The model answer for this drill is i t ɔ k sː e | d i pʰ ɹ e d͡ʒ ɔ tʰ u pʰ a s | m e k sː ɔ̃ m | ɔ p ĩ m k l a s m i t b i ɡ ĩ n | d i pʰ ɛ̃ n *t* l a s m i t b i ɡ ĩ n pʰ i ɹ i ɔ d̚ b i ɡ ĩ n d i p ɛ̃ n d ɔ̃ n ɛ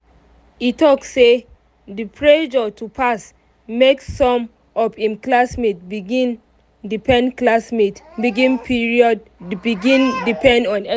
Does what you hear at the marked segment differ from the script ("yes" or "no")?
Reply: yes